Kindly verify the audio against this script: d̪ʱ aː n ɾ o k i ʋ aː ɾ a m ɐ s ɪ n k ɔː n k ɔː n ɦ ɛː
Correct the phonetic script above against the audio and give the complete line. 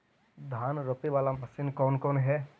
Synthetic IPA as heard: d̪ʱ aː n ɾ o p i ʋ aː l a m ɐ s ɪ n k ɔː n k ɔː n ɦ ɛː